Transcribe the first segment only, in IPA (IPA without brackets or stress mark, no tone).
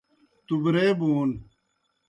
t̪